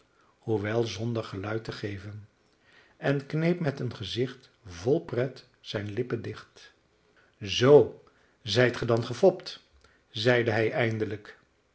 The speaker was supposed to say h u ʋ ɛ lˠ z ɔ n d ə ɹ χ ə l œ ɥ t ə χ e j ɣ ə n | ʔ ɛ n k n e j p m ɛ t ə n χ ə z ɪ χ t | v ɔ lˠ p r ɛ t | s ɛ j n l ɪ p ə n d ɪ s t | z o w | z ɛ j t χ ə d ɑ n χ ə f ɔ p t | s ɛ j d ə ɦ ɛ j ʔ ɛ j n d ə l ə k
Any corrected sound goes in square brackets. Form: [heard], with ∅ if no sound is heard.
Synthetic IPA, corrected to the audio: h u ʋ ɛ lˠ z ɔ n d ə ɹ χ ə l œ ɥ t ə χ e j [v] ə n | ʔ ɛ n k n e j p m ɛ t ə n χ ə z ɪ χ t | v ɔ lˠ p r ɛ t | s ɛ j n l ɪ p ə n d ɪ [χ] t | z o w | z ɛ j t χ ə d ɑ n χ ə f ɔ p t | [z] ɛ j d ə ɦ ɛ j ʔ ɛ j n d ə l ə k